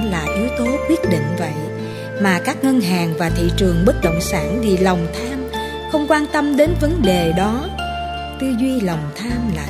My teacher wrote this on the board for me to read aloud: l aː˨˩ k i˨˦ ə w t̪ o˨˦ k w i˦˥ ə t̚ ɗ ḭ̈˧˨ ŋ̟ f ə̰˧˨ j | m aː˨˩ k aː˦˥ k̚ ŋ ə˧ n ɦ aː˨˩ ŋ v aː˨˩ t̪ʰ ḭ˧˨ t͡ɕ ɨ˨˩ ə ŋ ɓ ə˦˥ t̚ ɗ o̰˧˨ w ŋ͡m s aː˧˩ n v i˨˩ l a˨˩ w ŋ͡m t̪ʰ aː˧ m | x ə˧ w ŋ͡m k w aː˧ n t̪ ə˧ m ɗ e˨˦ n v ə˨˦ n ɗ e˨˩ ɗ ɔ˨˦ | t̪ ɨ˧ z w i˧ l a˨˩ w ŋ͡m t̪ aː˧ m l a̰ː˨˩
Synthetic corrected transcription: l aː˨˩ ʔ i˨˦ ə w t̪ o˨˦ k w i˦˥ ə t̚ ɗ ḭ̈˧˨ ŋ̟ v ə̰˧˨ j | m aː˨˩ k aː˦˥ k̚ ŋ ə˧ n ɦ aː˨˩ ŋ v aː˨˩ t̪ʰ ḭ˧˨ t͡ɕ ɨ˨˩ ə ŋ ɓ ə˦˥ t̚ ɗ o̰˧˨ w ŋ͡m s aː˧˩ n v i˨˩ l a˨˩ w ŋ͡m t̪ʰ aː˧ m | x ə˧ w ŋ͡m k w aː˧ n t̪ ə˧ m ɗ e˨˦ n v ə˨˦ n ɗ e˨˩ ɗ ɔ˨˦ | t̪ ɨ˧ z w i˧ l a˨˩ w ŋ͡m t̪ʰ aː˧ m l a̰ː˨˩